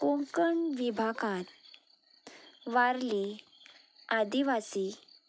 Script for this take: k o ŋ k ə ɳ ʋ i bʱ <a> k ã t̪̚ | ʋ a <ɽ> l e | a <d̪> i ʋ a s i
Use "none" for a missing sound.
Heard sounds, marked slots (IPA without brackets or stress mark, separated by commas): a, ɾ, d̪